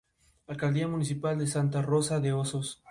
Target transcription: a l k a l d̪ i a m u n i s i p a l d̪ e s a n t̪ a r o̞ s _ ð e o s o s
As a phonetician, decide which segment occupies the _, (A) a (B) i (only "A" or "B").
A